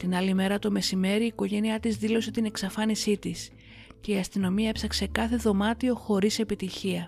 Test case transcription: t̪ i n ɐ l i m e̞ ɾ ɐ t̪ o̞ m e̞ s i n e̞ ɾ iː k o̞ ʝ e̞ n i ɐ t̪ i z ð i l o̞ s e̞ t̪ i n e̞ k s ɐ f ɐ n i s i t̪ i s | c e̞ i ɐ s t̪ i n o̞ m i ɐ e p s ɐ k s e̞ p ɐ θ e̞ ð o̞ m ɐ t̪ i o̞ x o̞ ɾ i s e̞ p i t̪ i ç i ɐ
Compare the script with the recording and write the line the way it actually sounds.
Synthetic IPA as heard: t̪ i n ɐ l i m e̞ ɾ ɐ t̪ o̞ m e̞ s i m e̞ ɾ iː k o̞ ʝ e̞ n i ɐ t̪ i z ð i l o̞ s e̞ t̪ i n e̞ k s ɐ f ɐ n i s i t̪ i s | c e̞ i ɐ s t̪ i n o̞ m i ɐ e p s ɐ k s e̞ k ɐ θ e̞ ð o̞ m ɐ t̪ i o̞ x o̞ ɾ i s e̞ p i t̪ i ç i ɐ